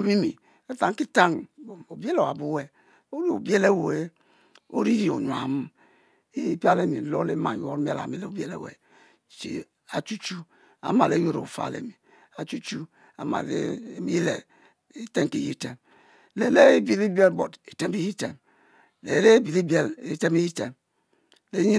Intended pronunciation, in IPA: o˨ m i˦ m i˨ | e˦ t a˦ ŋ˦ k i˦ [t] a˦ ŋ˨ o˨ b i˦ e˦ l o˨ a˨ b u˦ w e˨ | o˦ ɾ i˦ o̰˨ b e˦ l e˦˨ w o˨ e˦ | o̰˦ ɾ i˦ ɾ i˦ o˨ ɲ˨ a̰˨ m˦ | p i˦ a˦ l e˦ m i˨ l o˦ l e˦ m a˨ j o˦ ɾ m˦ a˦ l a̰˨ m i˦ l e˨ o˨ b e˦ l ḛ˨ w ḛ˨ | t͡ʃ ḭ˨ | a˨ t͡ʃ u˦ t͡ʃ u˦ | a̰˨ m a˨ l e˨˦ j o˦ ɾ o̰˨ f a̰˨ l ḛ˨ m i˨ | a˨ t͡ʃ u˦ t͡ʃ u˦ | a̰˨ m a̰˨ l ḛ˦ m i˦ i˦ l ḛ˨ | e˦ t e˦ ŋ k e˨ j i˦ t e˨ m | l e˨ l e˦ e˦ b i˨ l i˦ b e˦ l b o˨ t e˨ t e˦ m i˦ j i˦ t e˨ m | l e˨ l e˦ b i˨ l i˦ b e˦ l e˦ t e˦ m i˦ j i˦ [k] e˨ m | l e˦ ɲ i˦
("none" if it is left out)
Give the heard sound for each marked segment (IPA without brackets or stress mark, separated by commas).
t, t